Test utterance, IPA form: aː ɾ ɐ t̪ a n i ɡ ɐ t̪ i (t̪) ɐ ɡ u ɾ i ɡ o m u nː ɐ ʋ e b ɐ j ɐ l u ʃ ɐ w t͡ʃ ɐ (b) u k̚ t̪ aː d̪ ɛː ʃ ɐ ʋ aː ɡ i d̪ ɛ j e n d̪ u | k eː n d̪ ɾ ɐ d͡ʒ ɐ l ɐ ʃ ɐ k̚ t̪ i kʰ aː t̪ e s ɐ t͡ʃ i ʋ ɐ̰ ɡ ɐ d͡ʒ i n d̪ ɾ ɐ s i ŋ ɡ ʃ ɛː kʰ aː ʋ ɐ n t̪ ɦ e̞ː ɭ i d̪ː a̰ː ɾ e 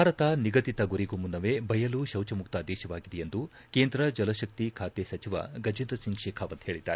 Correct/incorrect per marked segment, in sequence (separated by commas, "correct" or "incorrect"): correct, incorrect